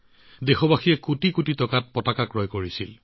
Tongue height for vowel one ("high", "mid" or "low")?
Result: mid